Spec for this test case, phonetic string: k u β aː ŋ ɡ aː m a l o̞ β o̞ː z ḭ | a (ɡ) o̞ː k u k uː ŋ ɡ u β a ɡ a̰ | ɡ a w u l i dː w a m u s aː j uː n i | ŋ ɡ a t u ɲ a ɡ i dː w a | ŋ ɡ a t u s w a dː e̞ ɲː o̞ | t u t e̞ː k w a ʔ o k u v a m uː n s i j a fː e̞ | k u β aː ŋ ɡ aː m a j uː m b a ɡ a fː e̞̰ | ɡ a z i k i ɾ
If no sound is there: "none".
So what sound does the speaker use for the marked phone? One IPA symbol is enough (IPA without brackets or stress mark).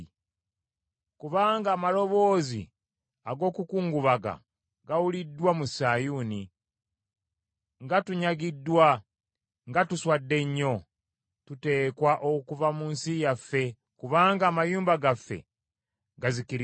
ɡ